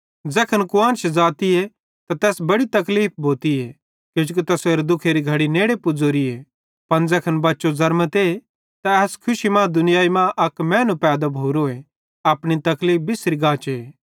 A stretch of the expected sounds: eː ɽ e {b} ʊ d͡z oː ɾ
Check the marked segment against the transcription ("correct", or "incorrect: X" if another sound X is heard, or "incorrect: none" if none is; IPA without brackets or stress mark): incorrect: p